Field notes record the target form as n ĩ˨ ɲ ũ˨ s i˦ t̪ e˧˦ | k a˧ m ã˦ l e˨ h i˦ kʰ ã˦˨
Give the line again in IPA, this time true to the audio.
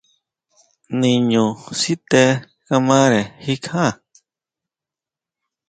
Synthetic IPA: n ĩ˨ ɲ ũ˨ s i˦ t̪ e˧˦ | k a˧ m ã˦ ɾ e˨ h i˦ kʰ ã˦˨